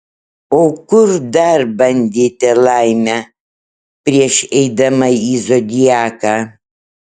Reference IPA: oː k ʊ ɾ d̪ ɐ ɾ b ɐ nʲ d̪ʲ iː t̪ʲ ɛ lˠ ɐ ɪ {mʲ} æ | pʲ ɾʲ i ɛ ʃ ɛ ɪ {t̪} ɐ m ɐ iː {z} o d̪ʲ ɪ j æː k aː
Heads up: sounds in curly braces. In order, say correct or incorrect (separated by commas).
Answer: correct, incorrect, correct